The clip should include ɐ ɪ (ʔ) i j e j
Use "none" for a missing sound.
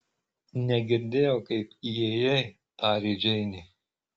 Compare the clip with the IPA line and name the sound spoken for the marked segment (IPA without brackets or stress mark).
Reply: p